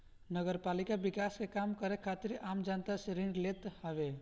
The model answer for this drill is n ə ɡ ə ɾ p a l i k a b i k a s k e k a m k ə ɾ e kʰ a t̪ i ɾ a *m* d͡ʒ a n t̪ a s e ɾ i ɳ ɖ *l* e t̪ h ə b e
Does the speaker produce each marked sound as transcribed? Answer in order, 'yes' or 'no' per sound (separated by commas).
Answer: yes, yes